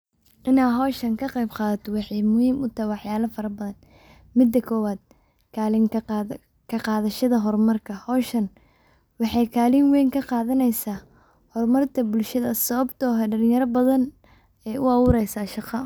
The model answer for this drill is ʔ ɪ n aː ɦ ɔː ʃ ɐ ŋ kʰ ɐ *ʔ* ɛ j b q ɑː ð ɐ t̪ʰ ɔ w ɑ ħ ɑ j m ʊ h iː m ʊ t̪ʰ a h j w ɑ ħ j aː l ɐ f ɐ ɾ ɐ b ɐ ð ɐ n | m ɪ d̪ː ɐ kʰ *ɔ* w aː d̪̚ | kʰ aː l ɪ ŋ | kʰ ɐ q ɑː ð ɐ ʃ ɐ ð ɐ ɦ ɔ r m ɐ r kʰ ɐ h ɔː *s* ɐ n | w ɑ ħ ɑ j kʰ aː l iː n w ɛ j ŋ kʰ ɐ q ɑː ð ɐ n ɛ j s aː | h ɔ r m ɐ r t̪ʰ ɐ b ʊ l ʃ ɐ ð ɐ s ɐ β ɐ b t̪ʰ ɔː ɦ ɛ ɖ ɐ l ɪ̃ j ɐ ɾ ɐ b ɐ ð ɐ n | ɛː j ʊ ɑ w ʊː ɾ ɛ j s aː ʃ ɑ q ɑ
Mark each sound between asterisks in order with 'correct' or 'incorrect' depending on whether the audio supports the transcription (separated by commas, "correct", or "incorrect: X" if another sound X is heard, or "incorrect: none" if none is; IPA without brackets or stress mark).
incorrect: q, incorrect: ɔː, incorrect: ʃ